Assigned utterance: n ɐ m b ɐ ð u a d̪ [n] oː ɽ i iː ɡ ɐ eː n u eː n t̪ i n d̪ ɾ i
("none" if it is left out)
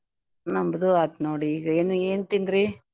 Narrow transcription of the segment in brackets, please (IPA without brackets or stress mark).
n